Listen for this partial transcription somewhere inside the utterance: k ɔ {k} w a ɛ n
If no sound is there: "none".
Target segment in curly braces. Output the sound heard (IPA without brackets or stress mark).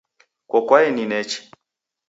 k